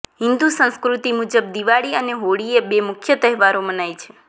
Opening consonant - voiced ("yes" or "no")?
yes